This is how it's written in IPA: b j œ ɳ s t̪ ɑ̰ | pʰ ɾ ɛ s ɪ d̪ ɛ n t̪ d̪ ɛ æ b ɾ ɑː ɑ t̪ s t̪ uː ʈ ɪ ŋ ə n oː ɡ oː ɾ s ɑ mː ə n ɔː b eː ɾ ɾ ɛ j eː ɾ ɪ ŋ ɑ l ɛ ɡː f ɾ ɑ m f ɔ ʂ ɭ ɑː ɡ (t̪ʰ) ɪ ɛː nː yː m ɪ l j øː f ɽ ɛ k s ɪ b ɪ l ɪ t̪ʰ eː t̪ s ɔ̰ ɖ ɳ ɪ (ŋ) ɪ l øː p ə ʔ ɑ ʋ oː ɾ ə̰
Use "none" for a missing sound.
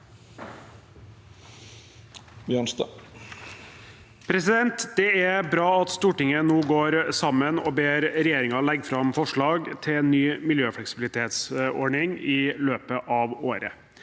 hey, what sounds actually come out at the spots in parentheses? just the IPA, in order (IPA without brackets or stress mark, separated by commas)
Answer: t̪ʰ, ŋ